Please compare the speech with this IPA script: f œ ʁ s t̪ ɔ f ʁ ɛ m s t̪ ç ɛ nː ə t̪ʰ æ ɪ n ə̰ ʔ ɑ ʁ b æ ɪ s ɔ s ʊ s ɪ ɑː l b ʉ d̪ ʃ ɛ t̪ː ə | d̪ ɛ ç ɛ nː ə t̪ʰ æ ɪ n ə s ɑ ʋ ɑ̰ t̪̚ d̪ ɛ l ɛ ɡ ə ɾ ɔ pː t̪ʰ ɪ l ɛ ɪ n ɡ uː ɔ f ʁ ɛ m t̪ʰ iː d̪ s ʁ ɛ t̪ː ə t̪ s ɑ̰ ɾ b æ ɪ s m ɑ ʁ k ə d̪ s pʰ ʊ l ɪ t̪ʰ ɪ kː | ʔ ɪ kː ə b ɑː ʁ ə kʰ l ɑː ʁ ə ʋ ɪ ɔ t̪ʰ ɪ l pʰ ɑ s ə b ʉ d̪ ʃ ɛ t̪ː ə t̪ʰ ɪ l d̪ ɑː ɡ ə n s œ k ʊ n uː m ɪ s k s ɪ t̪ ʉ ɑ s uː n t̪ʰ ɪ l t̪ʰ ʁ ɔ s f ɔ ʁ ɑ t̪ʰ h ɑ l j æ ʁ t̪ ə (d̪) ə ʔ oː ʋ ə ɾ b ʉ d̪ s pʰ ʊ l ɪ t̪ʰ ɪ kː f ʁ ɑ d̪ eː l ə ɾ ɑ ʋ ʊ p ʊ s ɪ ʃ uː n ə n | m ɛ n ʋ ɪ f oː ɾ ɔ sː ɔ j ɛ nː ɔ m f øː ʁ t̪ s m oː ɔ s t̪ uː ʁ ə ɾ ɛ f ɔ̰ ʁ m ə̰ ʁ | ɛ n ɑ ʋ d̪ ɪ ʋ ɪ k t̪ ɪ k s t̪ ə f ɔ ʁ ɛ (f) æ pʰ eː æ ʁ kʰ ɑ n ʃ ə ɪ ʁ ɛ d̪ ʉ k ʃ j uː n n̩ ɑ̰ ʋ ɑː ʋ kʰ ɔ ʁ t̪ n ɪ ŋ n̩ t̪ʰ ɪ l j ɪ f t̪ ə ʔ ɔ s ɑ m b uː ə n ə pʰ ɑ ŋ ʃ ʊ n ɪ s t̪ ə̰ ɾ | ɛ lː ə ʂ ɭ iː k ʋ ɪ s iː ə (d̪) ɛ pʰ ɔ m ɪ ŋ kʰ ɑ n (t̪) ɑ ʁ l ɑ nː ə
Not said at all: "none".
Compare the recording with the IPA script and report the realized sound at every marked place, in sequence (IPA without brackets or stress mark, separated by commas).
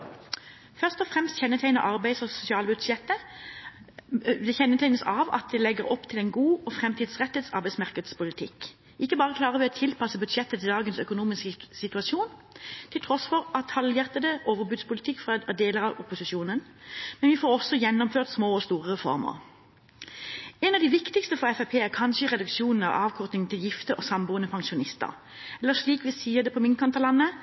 d̪, f, d̪, t̪